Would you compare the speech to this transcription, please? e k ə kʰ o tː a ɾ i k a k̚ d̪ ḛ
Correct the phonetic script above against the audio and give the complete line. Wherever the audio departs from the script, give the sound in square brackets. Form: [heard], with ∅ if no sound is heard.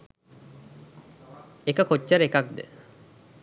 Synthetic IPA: e k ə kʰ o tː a ɾ [e] k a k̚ d̪ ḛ